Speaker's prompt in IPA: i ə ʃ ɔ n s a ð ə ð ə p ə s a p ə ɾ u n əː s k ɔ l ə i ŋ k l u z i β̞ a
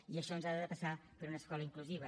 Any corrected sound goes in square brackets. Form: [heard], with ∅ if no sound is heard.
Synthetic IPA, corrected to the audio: i ə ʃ ɔ n [z] a ð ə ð ə p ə s a p ə ɾ u n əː s k ɔ l ə i ŋ k l u z i β̞ [ə]